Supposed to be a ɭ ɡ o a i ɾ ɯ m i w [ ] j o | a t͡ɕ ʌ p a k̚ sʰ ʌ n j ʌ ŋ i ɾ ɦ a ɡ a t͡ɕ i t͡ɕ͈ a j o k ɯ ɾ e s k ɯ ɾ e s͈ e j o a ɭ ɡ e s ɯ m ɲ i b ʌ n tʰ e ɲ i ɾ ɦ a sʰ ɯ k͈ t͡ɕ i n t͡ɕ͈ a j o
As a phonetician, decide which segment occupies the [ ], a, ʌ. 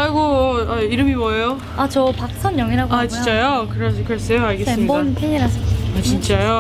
ʌ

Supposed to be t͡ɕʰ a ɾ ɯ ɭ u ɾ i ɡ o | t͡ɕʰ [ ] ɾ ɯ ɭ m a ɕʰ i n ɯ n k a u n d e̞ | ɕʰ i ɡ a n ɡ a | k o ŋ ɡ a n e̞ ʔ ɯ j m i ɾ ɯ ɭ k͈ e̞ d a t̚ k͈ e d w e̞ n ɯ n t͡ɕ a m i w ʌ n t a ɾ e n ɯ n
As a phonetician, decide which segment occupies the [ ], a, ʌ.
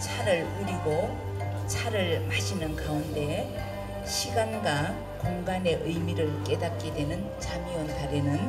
a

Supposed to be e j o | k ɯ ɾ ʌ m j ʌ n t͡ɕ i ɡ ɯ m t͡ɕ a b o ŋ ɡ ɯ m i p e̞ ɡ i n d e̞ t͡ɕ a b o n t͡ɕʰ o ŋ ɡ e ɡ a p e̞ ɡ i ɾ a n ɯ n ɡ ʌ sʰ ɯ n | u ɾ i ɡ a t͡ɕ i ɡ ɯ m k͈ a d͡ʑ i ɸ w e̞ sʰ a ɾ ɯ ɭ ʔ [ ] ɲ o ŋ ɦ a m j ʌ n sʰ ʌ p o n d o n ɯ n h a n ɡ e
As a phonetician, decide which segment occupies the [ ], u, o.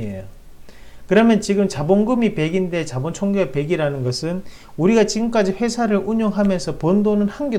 u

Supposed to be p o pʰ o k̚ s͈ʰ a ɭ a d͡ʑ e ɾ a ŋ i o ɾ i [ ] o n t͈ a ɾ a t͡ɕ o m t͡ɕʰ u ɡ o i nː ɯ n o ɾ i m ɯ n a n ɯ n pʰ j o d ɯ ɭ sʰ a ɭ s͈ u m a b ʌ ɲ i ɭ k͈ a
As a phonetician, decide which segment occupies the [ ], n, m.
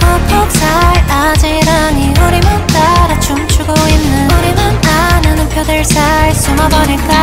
m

